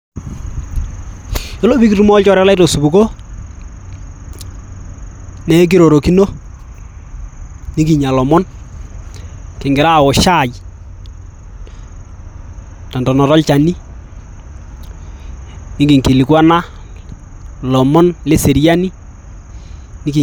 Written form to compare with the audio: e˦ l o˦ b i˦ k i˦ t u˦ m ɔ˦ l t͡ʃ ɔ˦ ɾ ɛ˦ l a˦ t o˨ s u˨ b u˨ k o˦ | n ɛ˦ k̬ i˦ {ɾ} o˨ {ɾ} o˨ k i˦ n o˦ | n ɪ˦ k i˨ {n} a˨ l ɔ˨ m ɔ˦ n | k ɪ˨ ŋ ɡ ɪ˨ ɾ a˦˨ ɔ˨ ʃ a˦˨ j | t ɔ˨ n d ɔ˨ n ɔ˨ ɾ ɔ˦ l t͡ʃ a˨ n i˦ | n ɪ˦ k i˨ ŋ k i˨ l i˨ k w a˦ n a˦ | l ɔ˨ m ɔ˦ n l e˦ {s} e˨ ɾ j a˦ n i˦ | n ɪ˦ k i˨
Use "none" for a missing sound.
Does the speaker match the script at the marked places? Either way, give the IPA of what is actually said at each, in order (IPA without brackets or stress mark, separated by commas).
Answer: ɾ, ɾ, ɲ, s